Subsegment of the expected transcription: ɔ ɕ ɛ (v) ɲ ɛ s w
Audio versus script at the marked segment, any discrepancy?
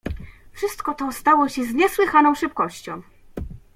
yes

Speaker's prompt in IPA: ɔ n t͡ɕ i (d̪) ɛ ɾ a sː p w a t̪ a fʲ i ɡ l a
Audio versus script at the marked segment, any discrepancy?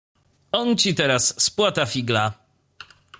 yes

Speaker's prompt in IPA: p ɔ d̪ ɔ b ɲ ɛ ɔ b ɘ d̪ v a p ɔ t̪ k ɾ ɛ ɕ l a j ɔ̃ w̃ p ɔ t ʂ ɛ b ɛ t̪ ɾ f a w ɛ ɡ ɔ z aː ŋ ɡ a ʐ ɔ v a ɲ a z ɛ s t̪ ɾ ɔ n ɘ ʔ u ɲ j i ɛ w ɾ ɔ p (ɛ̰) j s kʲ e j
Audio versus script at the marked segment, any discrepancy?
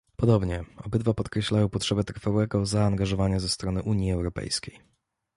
no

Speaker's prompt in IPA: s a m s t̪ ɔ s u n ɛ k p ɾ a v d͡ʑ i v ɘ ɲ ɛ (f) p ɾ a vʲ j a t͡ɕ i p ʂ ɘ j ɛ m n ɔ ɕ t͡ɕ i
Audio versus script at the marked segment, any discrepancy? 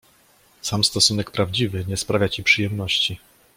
yes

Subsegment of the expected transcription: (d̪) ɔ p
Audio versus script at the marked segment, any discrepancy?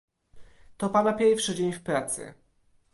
yes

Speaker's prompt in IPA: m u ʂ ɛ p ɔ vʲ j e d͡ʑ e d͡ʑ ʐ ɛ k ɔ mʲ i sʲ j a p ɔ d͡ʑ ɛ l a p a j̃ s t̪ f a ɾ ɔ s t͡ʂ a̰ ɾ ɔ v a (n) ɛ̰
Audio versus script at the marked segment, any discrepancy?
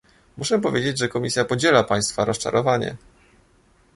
yes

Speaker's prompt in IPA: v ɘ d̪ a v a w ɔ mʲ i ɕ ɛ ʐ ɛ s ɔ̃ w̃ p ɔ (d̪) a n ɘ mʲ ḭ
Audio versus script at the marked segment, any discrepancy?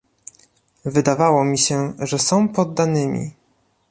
yes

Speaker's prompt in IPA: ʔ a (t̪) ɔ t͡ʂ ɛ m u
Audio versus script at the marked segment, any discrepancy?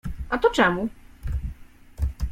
no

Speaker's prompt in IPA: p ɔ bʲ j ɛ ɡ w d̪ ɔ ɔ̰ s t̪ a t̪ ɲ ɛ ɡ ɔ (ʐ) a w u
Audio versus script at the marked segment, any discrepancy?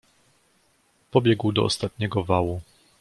yes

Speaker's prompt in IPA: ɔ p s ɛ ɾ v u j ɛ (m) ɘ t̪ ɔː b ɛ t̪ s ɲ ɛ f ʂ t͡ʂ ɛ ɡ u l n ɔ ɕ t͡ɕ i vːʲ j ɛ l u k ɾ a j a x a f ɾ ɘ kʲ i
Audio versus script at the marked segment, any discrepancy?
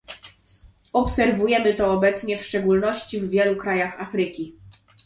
no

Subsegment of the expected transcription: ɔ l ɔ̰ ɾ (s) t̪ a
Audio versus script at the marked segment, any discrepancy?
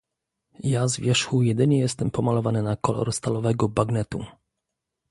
no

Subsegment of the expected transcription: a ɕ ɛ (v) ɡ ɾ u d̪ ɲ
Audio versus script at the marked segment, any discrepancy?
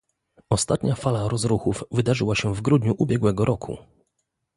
no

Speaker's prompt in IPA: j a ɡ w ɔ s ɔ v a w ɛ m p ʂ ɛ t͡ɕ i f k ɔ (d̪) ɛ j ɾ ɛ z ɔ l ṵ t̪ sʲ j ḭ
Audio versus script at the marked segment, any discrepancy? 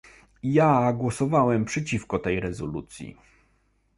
yes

